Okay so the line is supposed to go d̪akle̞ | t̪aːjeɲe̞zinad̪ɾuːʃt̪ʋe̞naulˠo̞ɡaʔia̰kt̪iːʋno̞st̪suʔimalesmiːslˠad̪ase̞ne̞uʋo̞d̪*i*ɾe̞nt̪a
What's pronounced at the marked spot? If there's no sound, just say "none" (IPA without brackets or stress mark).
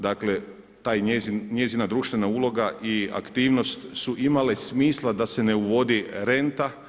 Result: i